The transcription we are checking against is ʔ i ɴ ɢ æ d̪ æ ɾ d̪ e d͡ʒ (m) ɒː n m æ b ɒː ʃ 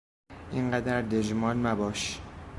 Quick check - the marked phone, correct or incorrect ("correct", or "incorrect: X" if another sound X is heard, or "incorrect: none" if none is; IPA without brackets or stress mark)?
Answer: correct